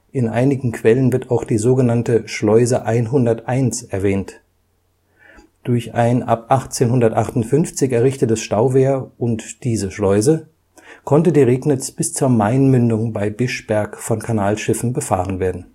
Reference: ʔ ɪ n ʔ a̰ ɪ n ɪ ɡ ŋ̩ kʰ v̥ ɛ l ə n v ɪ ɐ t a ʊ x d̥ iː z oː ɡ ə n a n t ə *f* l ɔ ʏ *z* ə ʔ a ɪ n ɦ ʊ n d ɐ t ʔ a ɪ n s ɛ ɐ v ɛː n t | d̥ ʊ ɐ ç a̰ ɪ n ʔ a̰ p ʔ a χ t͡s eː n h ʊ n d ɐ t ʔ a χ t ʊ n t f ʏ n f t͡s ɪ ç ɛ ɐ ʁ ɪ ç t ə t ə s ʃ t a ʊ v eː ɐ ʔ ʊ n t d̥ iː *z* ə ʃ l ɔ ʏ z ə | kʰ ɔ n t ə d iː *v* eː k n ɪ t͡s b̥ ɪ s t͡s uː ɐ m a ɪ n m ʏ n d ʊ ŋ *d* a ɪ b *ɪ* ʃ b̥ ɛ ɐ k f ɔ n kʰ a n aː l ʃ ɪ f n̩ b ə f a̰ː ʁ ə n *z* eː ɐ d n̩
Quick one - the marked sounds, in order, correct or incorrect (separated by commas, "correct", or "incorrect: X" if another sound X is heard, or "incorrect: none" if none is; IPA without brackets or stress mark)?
incorrect: ʃ, correct, correct, incorrect: ʁ, incorrect: b, correct, incorrect: v